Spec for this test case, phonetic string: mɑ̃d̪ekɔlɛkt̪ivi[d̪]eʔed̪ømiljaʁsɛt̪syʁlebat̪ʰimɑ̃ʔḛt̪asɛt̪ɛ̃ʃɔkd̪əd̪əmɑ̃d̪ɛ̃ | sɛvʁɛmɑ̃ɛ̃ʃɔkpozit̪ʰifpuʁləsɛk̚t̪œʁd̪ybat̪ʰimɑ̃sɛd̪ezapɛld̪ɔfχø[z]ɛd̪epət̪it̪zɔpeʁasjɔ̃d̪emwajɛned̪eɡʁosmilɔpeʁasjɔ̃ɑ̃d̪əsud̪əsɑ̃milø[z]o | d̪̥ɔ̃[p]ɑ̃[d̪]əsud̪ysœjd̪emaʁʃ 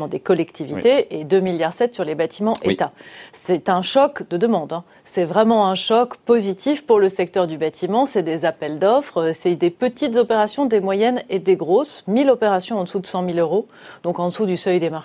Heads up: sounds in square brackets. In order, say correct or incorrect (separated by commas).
incorrect, incorrect, incorrect, incorrect, correct